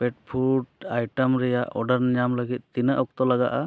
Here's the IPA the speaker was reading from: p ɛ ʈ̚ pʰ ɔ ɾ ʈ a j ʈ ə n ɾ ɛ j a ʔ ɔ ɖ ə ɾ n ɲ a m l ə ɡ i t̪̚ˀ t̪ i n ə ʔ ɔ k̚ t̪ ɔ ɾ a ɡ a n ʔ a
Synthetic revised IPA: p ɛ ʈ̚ pʰ u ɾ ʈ a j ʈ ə m ɾ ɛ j a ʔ ɔ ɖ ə ɾ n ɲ a m l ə ɡ i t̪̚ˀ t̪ i n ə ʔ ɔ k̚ t̪ ɔ l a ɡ a ʔ a